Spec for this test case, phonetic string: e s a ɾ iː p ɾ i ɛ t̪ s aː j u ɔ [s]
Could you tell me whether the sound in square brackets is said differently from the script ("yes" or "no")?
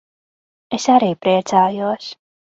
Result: no